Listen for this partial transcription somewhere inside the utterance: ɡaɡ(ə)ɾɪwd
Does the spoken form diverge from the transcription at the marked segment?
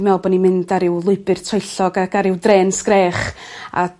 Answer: yes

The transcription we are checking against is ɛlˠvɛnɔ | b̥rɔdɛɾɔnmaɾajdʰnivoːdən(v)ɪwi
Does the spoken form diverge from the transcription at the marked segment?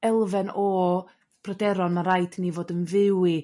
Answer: no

